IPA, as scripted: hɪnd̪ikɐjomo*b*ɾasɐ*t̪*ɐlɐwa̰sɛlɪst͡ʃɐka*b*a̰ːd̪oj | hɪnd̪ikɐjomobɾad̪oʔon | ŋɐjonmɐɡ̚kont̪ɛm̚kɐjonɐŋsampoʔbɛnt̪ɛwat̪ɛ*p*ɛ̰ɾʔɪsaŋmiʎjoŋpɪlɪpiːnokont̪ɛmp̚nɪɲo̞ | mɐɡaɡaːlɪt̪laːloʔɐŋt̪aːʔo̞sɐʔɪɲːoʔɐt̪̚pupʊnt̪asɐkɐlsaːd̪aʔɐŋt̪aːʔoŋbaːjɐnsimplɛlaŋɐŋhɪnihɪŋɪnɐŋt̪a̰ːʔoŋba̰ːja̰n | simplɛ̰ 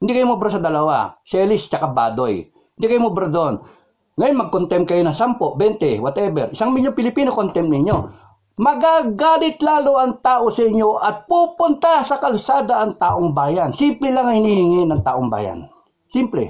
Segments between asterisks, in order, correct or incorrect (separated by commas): correct, incorrect, correct, incorrect